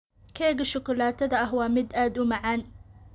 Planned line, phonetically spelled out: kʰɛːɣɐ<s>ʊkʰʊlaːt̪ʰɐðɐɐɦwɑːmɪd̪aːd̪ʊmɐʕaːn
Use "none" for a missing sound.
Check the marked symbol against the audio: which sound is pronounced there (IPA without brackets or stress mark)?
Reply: ʃ